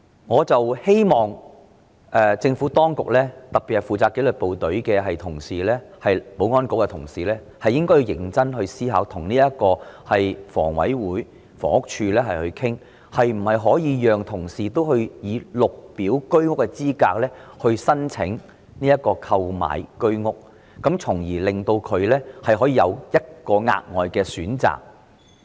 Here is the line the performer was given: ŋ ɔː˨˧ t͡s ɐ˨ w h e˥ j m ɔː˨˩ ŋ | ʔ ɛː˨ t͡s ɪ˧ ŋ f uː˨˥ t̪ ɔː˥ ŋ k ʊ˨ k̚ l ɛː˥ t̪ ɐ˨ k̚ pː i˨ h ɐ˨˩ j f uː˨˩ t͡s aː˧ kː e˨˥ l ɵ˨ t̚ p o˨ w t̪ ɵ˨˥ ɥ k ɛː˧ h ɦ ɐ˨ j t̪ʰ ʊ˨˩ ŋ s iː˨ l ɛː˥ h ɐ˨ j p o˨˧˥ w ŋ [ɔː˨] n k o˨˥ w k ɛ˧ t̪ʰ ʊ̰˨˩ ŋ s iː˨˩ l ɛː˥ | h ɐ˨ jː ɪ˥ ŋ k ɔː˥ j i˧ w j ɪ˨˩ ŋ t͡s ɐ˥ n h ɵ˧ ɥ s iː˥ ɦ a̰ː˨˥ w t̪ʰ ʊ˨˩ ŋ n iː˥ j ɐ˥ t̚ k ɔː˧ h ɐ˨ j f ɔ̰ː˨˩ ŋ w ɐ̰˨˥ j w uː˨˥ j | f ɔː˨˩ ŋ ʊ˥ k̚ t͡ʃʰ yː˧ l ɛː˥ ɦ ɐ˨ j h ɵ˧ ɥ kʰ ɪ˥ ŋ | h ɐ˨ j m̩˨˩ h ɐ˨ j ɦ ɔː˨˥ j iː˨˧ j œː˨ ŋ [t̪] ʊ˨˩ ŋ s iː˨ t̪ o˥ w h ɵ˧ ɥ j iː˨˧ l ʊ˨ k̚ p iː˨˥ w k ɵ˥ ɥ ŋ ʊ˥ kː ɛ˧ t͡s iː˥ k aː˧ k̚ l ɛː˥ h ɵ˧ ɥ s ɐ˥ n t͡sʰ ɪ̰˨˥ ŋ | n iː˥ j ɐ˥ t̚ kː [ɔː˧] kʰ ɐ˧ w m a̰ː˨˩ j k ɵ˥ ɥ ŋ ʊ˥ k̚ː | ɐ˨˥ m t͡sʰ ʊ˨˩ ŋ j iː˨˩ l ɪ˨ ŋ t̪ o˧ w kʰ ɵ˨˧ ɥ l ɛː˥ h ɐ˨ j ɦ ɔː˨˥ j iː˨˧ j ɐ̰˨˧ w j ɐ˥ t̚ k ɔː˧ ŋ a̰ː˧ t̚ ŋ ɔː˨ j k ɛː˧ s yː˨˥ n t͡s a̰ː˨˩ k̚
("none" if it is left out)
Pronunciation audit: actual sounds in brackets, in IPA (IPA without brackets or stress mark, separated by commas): ɔː˥, t̪ʰ, ɔː˧